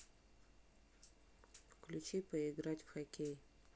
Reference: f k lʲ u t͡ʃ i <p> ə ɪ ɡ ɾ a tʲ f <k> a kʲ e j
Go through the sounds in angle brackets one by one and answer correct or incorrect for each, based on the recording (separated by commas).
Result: correct, incorrect